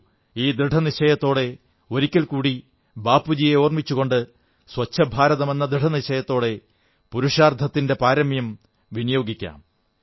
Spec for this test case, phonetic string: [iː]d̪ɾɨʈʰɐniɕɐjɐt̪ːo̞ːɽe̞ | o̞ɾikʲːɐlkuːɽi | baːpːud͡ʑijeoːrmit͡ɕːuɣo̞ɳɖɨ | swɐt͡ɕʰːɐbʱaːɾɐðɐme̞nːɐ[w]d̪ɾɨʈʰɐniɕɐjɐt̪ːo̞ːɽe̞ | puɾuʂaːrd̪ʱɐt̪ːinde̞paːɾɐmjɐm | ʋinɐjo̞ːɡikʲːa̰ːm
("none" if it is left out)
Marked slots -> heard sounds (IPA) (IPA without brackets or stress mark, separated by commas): iː, none